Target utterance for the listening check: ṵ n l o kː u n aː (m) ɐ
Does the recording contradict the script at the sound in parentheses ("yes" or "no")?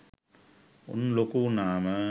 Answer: no